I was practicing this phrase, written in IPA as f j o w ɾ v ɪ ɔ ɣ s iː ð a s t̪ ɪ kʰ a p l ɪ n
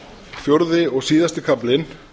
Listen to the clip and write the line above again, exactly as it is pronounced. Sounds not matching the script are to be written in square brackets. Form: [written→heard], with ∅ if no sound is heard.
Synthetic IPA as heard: f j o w ɾ [v→ð] ɪ ɔ ɣ s iː ð a s t̪ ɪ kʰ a p l ɪ n